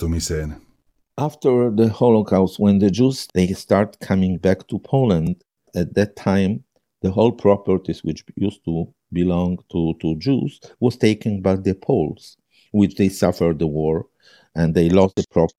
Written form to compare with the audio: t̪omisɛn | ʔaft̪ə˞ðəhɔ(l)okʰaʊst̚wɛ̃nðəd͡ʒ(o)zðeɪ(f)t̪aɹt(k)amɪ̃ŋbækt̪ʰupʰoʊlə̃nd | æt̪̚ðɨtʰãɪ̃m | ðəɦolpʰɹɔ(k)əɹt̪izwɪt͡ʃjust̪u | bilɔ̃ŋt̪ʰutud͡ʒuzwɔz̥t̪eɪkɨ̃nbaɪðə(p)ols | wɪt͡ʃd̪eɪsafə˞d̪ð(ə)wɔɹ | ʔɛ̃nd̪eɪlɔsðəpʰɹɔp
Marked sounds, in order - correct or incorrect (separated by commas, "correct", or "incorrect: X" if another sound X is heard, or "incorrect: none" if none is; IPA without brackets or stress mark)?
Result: correct, incorrect: u, incorrect: s, incorrect: kʰ, incorrect: p, incorrect: pʰ, correct